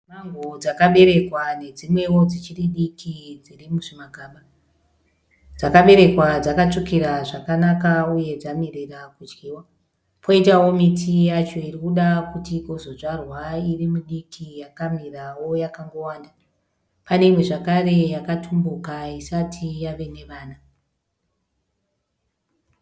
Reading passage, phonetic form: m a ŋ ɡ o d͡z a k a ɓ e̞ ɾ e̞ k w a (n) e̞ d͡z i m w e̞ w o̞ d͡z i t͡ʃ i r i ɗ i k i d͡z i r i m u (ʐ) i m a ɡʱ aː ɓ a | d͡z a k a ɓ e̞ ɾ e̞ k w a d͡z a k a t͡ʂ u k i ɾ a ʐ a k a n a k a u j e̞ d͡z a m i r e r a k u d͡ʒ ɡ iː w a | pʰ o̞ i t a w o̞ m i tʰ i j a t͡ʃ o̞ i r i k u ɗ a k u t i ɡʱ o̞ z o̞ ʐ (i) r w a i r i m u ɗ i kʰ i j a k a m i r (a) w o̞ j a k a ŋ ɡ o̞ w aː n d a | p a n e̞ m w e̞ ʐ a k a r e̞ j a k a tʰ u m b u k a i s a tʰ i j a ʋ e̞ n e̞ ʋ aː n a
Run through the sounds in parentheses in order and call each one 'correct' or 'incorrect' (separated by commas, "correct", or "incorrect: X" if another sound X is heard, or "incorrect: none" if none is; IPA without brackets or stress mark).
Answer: correct, correct, incorrect: a, correct